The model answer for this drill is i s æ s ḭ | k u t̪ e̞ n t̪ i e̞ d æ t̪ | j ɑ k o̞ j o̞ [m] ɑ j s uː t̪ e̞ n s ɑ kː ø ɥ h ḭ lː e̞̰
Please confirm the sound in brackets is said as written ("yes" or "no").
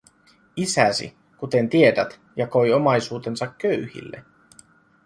yes